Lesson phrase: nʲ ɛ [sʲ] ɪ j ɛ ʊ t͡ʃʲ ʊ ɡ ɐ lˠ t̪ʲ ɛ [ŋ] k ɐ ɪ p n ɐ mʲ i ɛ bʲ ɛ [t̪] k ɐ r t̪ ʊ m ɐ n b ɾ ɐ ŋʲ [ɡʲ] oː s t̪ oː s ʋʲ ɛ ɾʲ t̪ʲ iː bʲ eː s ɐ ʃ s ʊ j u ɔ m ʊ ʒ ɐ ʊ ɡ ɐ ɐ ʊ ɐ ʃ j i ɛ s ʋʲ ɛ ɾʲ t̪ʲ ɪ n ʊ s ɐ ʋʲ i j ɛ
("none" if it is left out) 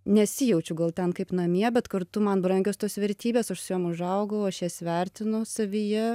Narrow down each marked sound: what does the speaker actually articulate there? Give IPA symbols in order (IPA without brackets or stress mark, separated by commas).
sʲ, n, t̪, ɡʲ